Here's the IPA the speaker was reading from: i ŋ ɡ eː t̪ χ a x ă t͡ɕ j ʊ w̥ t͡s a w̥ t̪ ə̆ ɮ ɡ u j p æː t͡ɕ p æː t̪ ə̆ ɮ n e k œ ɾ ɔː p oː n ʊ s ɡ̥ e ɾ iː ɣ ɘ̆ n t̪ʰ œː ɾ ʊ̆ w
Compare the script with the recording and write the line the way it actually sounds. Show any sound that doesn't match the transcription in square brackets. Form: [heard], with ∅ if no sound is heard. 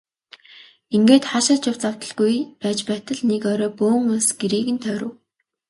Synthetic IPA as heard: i ŋ ɡ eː t̪ χ a [ʃ] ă t͡ɕ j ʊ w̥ t͡s a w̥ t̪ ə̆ ɮ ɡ u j p æː t͡ɕ p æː t̪ ə̆ ɮ n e k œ ɾ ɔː p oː [ŋ] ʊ s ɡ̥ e ɾ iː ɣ ɘ̆ n t̪ʰ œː ɾ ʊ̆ w